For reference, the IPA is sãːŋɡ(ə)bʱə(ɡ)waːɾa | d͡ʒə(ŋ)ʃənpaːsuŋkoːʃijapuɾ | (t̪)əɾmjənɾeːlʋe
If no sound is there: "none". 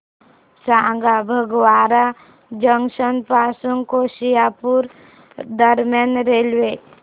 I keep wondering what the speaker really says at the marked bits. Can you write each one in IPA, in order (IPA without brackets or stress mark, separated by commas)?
a, ɡ, ŋ, d̪